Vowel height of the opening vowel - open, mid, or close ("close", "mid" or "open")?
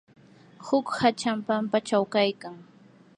close